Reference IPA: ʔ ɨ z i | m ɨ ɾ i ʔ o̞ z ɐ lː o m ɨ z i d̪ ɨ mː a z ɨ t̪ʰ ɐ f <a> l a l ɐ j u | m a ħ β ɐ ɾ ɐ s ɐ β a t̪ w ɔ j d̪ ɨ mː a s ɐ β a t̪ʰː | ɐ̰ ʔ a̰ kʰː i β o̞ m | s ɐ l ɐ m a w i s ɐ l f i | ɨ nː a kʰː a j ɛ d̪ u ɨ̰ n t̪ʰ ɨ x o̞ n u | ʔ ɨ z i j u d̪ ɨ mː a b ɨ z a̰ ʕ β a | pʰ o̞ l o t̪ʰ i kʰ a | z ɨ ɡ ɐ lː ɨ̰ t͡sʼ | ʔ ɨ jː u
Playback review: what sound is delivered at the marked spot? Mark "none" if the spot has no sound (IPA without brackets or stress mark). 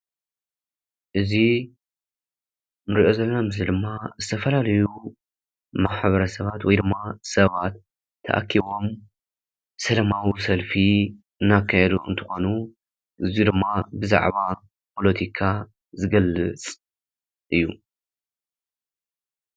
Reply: ɐ